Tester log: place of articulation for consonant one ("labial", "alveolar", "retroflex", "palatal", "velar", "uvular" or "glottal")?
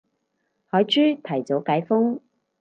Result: glottal